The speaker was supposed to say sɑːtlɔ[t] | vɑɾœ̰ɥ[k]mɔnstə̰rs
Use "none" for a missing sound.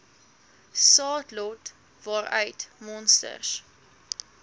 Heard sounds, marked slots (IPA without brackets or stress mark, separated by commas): t, t